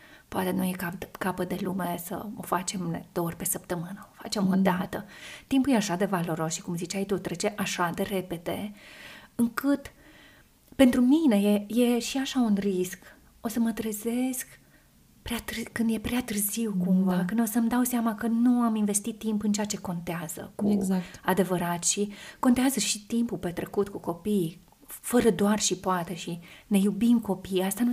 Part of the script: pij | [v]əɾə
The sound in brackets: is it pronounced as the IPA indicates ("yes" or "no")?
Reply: no